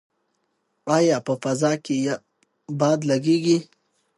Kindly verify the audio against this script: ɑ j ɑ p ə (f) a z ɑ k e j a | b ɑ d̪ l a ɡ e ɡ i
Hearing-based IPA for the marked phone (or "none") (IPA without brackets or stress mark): f